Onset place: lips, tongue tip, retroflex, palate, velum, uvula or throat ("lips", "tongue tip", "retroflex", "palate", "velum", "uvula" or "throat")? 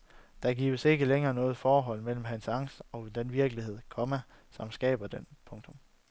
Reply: tongue tip